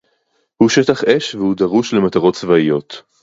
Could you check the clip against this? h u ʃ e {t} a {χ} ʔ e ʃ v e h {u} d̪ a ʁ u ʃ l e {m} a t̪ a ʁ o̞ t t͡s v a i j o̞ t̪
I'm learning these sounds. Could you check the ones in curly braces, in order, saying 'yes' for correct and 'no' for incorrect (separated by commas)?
yes, yes, yes, yes